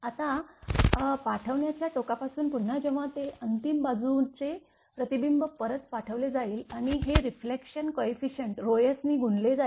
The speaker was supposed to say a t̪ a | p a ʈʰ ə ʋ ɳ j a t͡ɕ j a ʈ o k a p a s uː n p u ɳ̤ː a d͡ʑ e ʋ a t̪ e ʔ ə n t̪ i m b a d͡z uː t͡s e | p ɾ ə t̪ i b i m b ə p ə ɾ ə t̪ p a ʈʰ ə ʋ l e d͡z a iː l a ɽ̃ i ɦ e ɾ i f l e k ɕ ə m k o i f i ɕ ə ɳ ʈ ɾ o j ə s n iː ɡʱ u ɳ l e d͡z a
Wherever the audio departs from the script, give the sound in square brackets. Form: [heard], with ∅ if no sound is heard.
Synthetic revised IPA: a t̪ a | p a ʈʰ ə ʋ ɳ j a t͡ɕ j a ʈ o k a p a s uː n p u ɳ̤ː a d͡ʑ e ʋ a t̪ e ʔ ə n t̪ i m b a d͡z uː t͡s e | p ɾ ə t̪ i b i m b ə p ə ɾ ə t̪ p a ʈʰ ə ʋ l e d͡z a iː l a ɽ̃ i ɦ e ɾ i f l e k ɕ ə [n] k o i f i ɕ ə ɳ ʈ ɾ o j ə s n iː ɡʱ u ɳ l e d͡z a